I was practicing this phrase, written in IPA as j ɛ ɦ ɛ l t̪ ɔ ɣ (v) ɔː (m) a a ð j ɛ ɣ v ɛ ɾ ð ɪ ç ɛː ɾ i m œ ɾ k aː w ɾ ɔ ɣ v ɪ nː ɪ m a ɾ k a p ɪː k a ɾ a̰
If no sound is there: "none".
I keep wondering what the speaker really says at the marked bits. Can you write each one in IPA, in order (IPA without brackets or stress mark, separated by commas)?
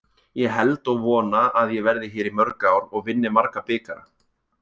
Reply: v, n